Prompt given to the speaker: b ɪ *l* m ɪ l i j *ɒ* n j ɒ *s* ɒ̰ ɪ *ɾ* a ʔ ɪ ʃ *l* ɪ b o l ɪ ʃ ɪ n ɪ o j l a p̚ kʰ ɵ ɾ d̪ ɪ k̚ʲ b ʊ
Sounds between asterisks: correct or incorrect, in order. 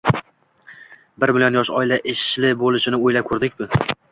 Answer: incorrect, incorrect, incorrect, incorrect, correct

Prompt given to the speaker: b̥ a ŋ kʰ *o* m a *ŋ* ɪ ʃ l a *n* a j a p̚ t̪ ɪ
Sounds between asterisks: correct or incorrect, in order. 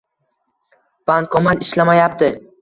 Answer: incorrect, incorrect, incorrect

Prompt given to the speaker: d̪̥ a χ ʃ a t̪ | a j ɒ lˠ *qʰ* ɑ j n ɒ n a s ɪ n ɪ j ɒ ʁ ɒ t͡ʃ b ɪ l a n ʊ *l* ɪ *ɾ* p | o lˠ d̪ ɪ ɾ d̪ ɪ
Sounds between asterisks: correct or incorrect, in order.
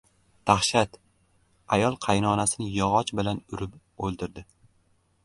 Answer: correct, incorrect, incorrect

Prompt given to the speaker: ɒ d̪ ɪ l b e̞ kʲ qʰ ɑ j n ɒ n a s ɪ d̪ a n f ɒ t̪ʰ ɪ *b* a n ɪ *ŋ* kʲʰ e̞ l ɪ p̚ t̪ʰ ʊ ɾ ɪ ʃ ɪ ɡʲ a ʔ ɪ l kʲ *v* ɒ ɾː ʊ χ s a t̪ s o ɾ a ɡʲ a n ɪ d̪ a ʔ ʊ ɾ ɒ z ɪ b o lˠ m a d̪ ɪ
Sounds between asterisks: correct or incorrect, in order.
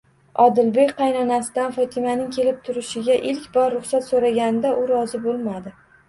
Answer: incorrect, correct, incorrect

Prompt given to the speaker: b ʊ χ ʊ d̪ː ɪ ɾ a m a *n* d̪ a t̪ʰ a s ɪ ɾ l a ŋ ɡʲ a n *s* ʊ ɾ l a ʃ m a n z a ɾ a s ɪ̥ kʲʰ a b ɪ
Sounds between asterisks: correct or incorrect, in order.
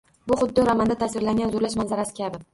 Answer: correct, incorrect

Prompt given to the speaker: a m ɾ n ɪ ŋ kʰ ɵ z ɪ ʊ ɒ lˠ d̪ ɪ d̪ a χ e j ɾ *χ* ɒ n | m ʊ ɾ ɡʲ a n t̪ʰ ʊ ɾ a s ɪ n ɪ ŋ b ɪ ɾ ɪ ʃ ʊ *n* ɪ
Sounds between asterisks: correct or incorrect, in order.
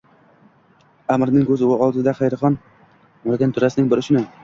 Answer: correct, correct

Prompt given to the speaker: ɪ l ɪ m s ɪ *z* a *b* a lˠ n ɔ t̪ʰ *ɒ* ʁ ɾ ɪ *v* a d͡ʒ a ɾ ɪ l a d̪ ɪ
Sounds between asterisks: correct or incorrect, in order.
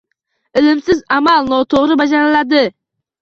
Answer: correct, incorrect, incorrect, incorrect

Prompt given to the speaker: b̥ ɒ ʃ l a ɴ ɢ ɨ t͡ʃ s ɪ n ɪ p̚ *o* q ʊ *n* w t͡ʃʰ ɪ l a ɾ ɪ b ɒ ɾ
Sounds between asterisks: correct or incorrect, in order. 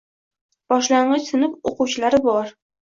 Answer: correct, incorrect

